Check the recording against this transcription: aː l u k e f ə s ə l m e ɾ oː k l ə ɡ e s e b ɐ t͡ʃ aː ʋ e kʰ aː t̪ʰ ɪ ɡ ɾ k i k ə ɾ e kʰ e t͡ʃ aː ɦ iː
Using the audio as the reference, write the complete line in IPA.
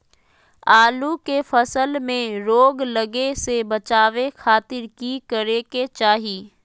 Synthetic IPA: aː l u k e f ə s ə l m ẽ ɾ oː ɡ l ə ɡ e s e b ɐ t͡ʃ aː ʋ e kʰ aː t̪ ɪ ɾ k i k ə ɾ e k e t͡ʃ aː ɦ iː